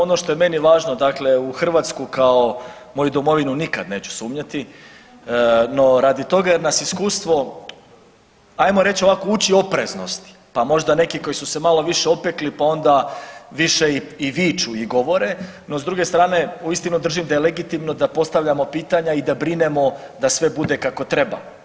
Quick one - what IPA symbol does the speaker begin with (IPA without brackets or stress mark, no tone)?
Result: o̞